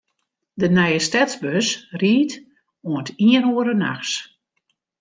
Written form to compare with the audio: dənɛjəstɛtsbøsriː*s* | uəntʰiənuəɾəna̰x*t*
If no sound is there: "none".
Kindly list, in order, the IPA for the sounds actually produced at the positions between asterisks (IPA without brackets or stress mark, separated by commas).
t, s